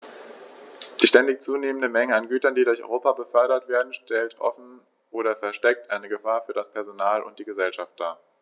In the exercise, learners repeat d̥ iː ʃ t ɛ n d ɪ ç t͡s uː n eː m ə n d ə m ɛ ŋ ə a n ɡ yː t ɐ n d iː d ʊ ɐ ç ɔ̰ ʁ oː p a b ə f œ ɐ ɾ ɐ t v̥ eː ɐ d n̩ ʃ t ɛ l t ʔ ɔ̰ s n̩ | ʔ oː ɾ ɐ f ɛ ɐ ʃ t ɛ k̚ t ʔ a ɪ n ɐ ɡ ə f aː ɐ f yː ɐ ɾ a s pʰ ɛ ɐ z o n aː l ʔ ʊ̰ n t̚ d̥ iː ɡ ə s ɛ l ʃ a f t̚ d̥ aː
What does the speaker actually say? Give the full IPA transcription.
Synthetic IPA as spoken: d̥ iː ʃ t ɛ n d ɪ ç t͡s uː n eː m ə n d ə m ɛ ŋ ə a n ɡ yː t ɐ n d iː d ʊ ɐ ç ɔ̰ ʁ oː p a b ə f œ ɐ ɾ ɐ t v̥ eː ɐ d n̩ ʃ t ɛ l t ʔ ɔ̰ f n̩ | ʔ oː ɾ ɐ f ɛ ɐ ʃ t ɛ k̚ t ʔ a ɪ n ə ɡ ə f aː ɐ f yː ɐ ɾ a s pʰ ɛ ɐ z o n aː l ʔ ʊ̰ n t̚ d̥ iː ɡ ə z ɛ l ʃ a f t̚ d̥ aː